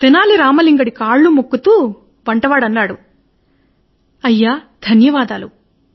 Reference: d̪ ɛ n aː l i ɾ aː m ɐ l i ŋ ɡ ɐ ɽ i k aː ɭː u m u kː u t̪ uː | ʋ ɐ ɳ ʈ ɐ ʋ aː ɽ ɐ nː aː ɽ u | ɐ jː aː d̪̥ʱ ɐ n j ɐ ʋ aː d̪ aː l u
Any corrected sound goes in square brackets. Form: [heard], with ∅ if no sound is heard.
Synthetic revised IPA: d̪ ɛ n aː l i ɾ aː m ɐ l i ŋ ɡ ɐ ɽ i k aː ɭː u m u kː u t̪ uː | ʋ ɐ ɳ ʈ ɐ ʋ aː ɽ ɐ nː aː ɽ u | ɐ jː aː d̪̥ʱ ɐ n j ɐ ʋ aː d̪ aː l u